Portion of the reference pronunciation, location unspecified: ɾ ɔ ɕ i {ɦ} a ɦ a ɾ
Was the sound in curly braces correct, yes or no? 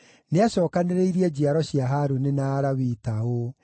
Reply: no